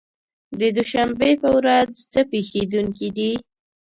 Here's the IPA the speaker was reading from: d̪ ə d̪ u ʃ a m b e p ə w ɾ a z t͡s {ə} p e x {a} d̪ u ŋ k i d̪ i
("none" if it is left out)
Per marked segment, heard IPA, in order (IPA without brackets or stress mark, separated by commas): ə, e